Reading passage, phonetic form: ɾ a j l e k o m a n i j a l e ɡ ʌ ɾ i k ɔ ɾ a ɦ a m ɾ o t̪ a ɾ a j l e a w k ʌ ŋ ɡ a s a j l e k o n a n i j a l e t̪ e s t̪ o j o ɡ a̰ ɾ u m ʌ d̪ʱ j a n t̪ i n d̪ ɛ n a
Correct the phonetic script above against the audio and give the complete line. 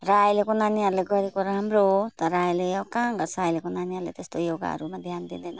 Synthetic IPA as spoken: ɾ a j l e k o n a n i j a l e ɡ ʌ ɾ i k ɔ ɾ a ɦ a m ɾ o t̪ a ɾ a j l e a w k a ŋ ɡ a s a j l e k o n a n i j a l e t̪ e s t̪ o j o ɡ a̰ ɾ u m a d̪ʱ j a n d̪ i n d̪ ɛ n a